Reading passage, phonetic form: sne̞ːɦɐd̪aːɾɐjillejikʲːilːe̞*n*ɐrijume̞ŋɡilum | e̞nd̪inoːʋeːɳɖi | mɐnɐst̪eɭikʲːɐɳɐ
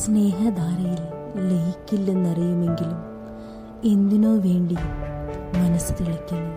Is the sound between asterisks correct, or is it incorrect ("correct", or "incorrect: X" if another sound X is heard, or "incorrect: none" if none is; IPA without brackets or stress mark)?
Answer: incorrect: nː